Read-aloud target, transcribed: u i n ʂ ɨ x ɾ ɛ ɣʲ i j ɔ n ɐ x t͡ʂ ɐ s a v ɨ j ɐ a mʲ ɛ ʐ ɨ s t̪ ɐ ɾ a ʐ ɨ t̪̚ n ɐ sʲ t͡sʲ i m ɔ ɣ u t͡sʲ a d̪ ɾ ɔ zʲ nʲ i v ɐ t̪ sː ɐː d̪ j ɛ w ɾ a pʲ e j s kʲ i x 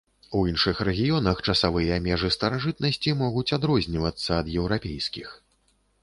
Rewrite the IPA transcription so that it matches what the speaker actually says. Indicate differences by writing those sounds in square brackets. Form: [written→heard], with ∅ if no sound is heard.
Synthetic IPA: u i n ʂ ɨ x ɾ ɛ ɣʲ i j ɔ n ɐ x t͡ʂ ɐ s a v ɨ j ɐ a mʲ ɛ ʐ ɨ s t̪ ɐ ɾ a ʐ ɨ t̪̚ n ɐ sʲ t͡sʲ i m ɔ ɣ u t͡sʲ a d̪ ɾ ɔ zʲ nʲ i v ɐ t̪ sː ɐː d̪ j ɛ w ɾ a pʲ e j s kʲ i x